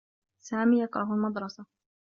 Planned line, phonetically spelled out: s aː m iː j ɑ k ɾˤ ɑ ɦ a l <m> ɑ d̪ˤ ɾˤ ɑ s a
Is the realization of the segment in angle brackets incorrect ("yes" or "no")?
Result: no